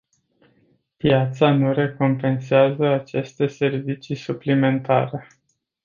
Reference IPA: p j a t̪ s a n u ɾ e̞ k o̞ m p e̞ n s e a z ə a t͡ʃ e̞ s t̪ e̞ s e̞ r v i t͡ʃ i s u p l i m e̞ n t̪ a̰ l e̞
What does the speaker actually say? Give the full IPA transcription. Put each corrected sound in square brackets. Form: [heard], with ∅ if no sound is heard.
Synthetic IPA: p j a t̪ s a n u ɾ e̞ k o̞ m p e̞ n s e a z ə a t͡ʃ e̞ s t̪ e̞ s e̞ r v i t͡ʃ i s u p l i m e̞ n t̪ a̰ [ɾ] e̞